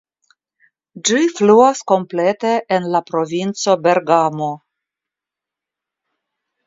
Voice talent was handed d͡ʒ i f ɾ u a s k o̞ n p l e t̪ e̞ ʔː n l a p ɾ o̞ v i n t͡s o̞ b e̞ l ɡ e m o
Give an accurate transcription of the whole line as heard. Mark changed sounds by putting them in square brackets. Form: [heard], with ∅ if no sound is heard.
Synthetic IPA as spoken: d͡ʒ i f [l] u a s k o̞ [m] p l e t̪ e̞ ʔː n l a p ɾ o̞ v i n t͡s o̞ b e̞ [ɾ] ɡ [a] m o